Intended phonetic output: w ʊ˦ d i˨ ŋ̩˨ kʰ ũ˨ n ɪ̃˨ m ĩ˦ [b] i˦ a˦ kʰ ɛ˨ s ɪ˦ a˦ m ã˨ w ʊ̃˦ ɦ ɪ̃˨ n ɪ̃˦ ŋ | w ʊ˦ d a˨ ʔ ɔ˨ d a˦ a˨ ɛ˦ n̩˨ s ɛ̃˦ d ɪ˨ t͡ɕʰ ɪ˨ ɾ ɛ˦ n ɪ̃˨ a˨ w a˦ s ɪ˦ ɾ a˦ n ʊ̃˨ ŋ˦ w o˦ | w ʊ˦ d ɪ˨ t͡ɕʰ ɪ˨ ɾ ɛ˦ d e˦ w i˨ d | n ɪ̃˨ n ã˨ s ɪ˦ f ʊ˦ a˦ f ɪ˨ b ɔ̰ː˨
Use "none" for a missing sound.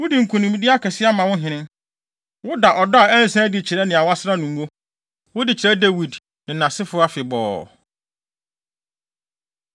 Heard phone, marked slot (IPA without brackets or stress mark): d